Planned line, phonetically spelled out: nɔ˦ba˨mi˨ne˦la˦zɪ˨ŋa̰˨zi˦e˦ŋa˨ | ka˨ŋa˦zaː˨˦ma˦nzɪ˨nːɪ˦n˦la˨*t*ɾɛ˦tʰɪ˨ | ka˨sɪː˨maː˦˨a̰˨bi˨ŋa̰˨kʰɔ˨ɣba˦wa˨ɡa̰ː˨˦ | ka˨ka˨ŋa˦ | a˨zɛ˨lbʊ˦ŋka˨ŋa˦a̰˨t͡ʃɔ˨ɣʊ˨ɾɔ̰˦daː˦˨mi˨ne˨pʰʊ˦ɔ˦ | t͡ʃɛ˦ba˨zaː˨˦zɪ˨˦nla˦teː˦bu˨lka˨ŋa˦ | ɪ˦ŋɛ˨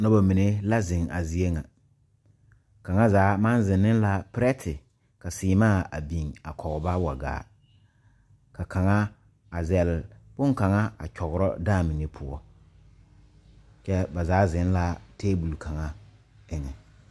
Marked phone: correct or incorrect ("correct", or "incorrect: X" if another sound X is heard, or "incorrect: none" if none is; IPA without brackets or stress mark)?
incorrect: p